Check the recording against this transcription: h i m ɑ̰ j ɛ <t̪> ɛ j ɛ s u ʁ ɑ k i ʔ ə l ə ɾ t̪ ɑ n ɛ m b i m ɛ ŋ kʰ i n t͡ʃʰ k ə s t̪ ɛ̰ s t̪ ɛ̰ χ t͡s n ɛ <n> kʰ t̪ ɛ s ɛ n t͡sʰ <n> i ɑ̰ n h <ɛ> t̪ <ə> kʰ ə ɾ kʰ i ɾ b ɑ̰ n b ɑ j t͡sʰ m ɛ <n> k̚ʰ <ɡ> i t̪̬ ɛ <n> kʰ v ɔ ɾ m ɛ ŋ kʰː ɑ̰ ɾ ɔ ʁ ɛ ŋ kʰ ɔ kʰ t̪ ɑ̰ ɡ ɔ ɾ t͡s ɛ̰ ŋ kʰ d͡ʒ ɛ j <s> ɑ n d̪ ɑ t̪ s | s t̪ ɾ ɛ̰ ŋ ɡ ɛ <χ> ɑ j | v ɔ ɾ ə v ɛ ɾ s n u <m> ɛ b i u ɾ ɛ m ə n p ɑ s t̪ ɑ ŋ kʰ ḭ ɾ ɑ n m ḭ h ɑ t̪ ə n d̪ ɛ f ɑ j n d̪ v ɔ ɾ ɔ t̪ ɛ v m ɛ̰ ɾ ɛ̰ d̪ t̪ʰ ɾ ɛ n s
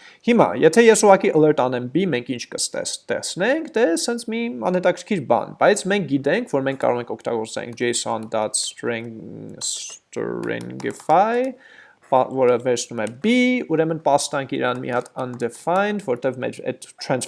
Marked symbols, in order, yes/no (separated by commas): no, no, no, yes, no, no, yes, no, yes, no, yes